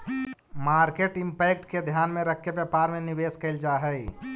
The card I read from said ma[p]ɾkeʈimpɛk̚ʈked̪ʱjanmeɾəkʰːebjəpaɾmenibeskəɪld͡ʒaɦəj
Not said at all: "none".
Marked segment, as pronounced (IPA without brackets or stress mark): none